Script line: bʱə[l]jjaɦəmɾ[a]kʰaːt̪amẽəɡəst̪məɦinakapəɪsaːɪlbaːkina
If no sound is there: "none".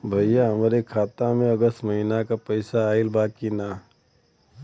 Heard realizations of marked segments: none, e

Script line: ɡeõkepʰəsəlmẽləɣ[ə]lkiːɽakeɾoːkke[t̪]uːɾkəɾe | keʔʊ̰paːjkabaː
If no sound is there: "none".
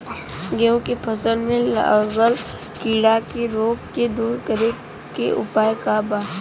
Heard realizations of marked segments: ə, d̪

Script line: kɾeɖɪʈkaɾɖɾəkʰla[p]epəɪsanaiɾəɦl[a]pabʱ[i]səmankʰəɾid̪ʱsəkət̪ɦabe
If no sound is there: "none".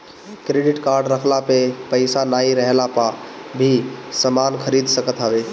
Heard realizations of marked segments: p, a, i

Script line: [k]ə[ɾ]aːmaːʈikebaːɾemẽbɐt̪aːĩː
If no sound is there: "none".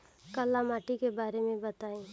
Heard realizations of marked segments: k, l

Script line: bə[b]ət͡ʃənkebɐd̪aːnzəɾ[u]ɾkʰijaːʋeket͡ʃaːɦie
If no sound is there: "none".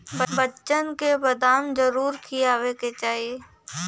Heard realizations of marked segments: b, uː

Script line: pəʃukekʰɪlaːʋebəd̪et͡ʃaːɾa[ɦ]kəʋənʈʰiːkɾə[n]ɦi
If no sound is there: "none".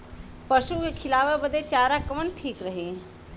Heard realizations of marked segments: none, none

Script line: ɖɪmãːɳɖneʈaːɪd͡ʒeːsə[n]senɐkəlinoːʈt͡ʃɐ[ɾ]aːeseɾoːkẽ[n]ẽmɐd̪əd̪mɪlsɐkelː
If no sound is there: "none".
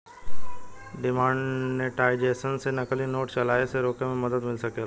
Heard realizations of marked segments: n, l, m

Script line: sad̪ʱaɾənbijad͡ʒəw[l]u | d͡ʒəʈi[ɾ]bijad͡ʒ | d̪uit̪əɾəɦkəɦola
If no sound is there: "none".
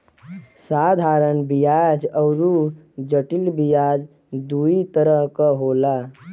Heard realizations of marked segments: ɾ, l

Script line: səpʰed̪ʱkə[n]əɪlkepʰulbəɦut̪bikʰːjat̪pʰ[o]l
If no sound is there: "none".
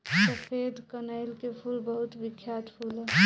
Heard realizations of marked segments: n, u

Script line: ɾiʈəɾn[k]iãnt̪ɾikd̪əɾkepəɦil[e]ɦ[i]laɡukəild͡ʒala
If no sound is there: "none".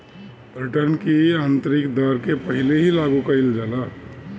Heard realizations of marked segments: k, e, i

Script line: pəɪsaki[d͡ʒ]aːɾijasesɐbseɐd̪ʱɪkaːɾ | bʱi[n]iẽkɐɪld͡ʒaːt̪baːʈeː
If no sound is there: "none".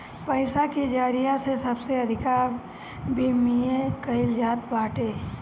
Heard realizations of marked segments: d͡ʒ, m

